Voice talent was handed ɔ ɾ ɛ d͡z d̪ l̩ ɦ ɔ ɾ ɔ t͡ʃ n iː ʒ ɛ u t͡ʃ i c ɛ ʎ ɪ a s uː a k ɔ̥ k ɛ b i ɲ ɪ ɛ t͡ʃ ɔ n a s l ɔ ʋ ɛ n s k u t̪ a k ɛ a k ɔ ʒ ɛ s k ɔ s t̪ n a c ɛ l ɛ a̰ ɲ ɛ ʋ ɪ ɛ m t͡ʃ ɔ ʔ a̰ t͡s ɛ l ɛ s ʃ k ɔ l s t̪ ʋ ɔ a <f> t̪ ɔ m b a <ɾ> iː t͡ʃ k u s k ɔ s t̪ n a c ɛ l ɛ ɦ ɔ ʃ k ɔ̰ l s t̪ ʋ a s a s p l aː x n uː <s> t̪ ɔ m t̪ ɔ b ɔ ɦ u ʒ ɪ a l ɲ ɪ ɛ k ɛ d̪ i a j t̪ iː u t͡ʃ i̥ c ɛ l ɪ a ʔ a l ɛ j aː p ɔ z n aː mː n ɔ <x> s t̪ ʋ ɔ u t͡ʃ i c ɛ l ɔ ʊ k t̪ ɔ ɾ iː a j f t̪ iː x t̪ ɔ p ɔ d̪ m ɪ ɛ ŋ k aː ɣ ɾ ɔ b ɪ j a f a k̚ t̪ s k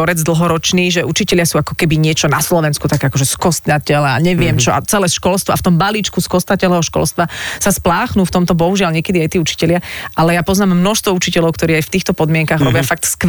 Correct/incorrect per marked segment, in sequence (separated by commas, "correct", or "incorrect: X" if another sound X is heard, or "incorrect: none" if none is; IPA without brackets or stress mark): correct, incorrect: l, incorrect: f, incorrect: ʃ